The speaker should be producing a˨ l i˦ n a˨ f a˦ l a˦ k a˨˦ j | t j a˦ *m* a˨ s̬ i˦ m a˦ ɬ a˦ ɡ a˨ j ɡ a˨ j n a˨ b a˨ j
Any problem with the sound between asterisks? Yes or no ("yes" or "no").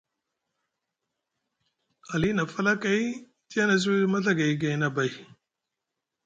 yes